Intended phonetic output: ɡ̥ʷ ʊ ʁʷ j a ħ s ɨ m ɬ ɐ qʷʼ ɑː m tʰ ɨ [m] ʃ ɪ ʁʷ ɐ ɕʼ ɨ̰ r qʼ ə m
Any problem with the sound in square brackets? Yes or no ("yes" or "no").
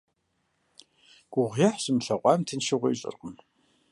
yes